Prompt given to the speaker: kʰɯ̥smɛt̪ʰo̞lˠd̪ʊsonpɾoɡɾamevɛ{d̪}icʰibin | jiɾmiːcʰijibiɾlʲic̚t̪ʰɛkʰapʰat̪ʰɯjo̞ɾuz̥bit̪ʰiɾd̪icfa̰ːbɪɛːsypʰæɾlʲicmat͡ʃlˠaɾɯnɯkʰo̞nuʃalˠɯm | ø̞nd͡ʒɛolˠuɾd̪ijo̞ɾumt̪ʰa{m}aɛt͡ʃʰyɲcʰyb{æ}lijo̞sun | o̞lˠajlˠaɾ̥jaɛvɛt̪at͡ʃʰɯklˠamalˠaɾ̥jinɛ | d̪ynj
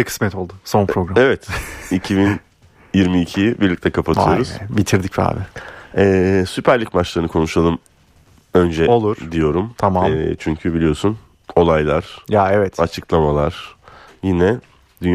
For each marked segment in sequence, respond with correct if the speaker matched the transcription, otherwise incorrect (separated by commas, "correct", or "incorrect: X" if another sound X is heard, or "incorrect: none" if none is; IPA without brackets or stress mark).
incorrect: t̪, correct, incorrect: i